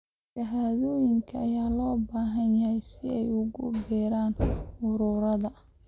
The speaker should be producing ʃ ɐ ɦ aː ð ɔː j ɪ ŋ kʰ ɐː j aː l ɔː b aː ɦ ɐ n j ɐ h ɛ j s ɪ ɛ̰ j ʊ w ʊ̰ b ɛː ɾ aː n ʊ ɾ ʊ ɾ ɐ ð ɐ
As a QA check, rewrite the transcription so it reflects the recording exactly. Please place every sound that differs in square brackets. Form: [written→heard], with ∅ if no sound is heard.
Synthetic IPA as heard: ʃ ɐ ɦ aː ð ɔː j ɪ ŋ kʰ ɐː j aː l ɔː b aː ɦ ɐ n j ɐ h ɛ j s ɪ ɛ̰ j ʊ [w→ɣ] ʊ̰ b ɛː ɾ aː n ʊ ɾ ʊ ɾ ɐ ð ɐ